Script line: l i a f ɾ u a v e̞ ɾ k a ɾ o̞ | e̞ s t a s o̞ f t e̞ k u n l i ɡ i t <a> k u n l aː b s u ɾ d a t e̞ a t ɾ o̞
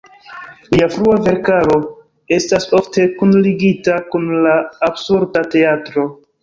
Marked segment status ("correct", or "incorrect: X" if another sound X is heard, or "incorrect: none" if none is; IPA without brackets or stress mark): correct